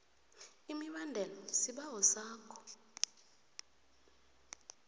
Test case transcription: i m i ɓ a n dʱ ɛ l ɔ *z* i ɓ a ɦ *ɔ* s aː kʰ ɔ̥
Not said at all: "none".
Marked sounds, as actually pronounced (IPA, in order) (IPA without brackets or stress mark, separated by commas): s, ɔ